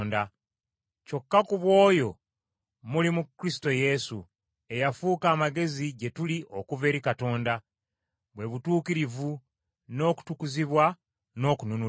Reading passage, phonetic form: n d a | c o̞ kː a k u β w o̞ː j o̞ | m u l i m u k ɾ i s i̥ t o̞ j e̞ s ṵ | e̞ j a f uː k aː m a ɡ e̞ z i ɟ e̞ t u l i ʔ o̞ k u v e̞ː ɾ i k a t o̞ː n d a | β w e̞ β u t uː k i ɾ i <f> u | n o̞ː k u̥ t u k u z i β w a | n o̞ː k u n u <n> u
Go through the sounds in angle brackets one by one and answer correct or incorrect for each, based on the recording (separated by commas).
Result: incorrect, correct